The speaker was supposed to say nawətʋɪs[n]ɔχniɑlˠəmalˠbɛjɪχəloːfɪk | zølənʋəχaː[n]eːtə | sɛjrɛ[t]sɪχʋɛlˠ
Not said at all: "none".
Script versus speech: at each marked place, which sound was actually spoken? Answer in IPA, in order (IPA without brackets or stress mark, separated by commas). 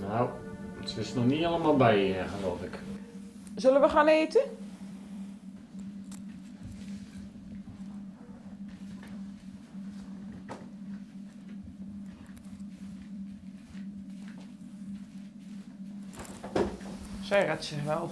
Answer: n, n, t